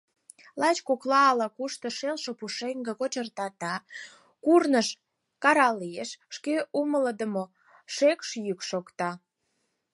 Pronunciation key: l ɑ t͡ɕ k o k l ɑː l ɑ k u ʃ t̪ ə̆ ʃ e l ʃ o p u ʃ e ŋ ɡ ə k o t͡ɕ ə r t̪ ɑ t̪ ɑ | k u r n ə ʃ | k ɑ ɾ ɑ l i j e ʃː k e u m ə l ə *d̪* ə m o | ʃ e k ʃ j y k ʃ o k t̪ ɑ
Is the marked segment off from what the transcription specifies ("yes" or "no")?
no